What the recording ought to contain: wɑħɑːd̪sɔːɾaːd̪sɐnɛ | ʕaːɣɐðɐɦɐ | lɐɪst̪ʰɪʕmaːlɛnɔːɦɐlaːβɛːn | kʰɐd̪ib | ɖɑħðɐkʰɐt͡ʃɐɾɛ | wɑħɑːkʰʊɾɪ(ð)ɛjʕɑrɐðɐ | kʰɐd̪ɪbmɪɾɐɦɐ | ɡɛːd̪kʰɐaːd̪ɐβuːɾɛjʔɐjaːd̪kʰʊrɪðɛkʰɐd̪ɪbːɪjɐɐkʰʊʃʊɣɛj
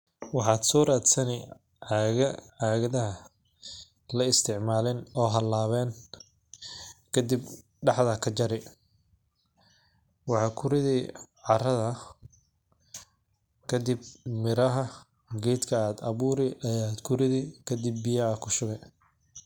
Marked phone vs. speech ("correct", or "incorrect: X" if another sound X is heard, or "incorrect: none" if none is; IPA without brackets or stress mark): correct